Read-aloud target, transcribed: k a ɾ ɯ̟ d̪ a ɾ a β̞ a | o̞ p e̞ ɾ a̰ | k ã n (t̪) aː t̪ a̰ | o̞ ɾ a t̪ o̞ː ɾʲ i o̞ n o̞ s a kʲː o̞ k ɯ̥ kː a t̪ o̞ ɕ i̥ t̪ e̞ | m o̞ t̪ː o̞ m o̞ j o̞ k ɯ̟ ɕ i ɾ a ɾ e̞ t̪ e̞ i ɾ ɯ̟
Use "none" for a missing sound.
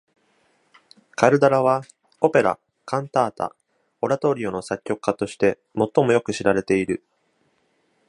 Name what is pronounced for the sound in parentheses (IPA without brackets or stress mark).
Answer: t̪